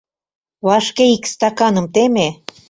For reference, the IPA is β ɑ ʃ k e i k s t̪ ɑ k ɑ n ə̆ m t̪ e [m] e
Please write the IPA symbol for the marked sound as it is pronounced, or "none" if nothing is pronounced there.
m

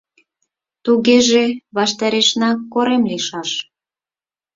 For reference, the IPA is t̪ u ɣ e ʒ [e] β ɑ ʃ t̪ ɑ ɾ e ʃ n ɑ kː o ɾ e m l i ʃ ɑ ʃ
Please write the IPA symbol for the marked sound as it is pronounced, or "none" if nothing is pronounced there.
e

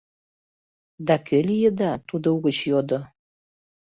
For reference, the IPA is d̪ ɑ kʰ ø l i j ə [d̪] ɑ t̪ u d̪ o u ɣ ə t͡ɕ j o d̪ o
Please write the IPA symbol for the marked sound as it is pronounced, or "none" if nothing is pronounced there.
d̪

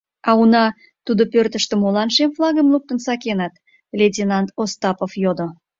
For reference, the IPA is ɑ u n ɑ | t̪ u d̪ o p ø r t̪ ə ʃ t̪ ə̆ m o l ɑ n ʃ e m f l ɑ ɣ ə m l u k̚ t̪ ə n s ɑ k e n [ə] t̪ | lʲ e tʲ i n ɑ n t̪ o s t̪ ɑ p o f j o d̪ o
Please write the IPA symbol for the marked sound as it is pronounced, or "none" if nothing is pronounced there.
ɑ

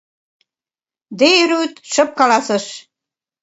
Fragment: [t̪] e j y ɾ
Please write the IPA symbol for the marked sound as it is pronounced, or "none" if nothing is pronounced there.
d̪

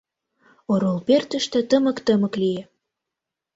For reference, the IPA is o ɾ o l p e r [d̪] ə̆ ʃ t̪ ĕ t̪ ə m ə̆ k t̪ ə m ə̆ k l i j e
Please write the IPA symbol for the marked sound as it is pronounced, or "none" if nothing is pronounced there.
t̪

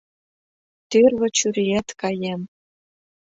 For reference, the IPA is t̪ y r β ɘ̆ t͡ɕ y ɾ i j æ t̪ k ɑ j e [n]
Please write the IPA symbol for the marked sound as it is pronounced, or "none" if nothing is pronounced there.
m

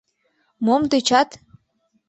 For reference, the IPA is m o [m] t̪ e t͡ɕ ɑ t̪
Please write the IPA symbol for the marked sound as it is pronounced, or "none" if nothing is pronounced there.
m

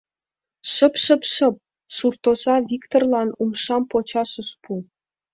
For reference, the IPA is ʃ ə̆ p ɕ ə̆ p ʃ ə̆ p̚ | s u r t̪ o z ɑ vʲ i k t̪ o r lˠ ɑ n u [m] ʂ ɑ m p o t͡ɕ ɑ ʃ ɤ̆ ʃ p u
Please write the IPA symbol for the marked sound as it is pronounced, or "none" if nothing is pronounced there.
m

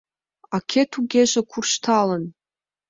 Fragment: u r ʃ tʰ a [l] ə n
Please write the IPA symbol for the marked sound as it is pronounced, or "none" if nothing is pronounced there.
l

